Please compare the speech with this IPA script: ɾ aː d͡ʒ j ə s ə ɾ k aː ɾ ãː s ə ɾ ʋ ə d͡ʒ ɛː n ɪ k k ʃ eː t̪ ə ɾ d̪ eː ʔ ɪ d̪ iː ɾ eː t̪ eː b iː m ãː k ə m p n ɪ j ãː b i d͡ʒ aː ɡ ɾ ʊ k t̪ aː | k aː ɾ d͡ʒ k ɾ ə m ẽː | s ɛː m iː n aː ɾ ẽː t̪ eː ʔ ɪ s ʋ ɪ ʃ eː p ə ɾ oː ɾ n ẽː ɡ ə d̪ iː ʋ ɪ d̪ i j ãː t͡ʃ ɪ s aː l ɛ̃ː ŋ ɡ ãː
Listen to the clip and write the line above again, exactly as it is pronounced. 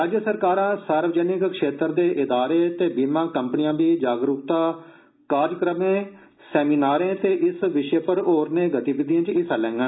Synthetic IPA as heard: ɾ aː d͡ʒ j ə s ə ɾ k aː ɾ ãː s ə ɾ ʋ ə d͡ʒ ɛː n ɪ k k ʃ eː t̪ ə ɾ d̪ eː ʔ ɪ d̪ aː ɾ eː t̪ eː b iː m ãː k ə m p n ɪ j ãː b iː d͡ʒ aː ɡ ɾ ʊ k t̪ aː | k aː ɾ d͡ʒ k ɾ ə m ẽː | s ɛː m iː n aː ɾ ẽː t̪ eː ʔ ɪ s ʋ ɪ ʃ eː p ə ɾ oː ɾ n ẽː ɡ ə t̪ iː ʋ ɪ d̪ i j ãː t͡ʃ ɪ s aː l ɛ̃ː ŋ ɡ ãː

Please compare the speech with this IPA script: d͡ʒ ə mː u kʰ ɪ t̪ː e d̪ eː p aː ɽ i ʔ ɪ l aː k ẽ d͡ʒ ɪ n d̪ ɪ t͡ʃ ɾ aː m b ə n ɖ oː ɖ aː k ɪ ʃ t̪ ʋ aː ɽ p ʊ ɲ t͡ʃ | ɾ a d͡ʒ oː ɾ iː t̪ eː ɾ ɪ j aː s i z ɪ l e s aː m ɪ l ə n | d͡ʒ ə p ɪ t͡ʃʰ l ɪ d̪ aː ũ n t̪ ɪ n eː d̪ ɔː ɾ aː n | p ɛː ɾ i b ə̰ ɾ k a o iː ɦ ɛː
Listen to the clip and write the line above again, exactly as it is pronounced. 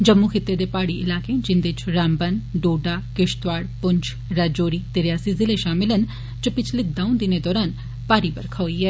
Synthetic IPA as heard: d͡ʒ ə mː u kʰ ɪ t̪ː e d̪ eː p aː ɽ i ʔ ɪ l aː k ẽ d͡ʒ ɪ n d̪ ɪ t͡ʃ ɾ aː m b ə n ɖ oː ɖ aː k ɪ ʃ t̪ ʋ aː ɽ p ʊ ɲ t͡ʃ | ɾ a d͡ʒ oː ɾ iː t̪ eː ɾ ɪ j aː s i z ɪ l e ʃ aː m ɪ l ə n | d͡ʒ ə p ɪ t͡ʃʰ l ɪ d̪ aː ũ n d̪ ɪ n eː d̪ ɔː ɾ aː n | p aː ɾ i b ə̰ ɾ kʰ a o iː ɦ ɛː

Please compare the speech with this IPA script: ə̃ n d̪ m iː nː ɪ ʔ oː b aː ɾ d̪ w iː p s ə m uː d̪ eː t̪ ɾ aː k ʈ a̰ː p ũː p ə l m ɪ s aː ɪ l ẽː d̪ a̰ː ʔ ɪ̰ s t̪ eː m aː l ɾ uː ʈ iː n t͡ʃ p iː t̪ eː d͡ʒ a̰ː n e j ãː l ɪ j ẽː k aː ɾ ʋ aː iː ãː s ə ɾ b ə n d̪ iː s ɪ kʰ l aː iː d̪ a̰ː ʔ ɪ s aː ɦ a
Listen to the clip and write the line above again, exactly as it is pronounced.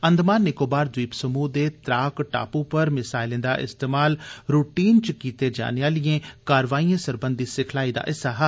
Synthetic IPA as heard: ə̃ n d̪ m aː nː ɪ k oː b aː ɾ d̪ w iː p s ə m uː d̪ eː t̪ ɾ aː k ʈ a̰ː p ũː p ə ɾ m ɪ s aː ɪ l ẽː d̪ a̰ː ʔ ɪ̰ s t̪ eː m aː l ɾ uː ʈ iː n t͡ʃ k iː t̪ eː d͡ʒ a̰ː n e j aː l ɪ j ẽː k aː ɾ ʋ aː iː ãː s ə ɾ b ə n d̪ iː s ɪ kʰ l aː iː d̪ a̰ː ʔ ɪ s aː ɦ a

